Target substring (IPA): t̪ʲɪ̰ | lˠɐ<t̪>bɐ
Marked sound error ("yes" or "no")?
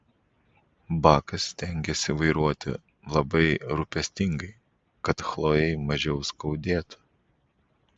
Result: yes